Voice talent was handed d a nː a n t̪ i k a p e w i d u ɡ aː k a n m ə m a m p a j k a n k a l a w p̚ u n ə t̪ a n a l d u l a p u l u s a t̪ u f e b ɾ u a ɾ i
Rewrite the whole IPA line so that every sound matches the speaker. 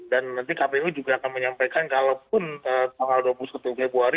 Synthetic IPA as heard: d a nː a n t̪ i k a p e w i d͡ʒ u ɡ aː k a n m ə ɲ a m p a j k a n k a l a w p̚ ʊ n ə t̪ a ŋ a l d u a p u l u s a t̪ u f e b ɾ u a ɾ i